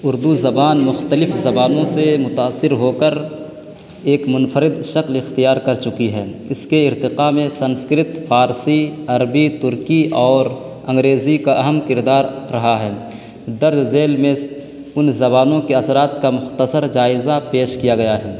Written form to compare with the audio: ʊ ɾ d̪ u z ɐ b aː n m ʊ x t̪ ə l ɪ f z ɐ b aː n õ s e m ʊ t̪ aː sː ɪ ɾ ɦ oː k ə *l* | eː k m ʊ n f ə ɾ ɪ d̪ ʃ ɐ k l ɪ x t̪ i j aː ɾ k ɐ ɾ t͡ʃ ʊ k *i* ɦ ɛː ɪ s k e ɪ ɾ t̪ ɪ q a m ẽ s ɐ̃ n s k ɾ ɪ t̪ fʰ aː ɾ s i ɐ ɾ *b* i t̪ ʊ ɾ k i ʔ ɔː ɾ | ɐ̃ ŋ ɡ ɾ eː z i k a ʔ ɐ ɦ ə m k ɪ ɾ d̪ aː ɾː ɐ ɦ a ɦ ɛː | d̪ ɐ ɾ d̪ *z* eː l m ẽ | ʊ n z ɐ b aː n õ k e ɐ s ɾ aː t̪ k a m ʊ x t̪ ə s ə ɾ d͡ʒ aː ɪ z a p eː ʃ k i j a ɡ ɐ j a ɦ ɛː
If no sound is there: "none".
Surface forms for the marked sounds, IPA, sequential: ɾ, i, b, z

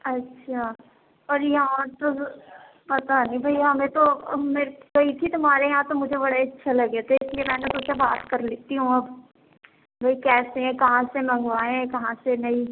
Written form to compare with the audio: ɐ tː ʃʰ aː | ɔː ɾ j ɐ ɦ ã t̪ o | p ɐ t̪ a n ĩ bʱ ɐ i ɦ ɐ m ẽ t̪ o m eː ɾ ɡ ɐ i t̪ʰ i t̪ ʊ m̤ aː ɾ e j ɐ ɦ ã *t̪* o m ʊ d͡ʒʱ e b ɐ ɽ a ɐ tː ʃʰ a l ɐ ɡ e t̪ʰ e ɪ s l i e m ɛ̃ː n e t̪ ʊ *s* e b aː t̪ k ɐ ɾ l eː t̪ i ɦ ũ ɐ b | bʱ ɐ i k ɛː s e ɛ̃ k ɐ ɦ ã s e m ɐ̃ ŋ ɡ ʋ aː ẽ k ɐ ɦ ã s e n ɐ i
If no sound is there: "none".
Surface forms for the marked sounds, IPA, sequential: t̪, s

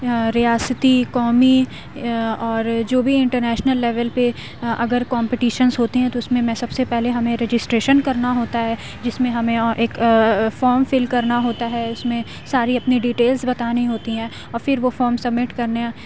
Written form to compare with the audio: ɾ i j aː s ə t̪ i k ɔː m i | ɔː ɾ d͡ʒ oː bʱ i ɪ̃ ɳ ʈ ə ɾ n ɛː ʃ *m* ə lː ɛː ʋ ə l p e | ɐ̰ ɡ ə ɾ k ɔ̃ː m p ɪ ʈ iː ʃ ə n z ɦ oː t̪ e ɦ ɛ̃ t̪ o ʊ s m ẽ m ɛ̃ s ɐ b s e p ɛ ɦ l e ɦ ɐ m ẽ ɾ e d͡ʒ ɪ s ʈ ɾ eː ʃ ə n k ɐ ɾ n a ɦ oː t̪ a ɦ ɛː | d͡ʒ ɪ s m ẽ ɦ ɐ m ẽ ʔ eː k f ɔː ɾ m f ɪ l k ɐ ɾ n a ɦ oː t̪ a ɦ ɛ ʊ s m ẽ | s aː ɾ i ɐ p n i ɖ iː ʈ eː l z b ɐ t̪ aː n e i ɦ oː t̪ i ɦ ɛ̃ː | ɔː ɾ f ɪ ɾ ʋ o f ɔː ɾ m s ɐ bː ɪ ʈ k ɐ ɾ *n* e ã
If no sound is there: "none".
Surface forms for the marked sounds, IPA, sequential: n, n

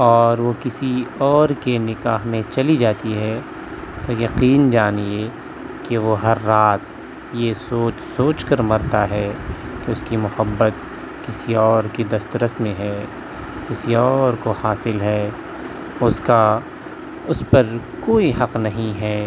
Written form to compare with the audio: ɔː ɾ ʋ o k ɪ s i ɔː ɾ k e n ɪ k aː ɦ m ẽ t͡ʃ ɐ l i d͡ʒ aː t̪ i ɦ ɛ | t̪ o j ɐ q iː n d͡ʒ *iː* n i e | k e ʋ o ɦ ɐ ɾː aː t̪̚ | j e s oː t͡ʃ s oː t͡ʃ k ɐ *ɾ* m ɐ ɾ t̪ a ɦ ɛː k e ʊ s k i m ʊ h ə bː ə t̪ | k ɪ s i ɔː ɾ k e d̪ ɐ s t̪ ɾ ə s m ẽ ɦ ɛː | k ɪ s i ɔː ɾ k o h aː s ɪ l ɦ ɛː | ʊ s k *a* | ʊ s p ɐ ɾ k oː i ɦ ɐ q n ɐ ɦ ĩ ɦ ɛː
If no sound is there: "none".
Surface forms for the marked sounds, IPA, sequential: aː, ɾ, a

